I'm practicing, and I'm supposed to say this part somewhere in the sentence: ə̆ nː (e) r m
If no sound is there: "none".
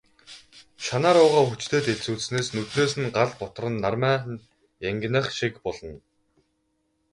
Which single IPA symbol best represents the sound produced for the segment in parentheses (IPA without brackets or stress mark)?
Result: a